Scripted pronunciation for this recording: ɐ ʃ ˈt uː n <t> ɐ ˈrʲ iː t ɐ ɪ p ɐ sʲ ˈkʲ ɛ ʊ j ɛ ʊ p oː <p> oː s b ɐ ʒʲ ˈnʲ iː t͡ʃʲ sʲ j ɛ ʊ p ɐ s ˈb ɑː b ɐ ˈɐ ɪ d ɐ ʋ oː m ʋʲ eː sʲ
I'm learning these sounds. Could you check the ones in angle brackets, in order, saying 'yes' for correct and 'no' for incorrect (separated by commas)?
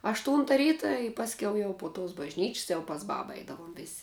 yes, no